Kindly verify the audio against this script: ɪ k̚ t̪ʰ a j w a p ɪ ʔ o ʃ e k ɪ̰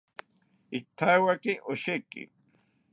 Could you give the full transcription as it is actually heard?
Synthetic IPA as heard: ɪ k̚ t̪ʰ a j w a k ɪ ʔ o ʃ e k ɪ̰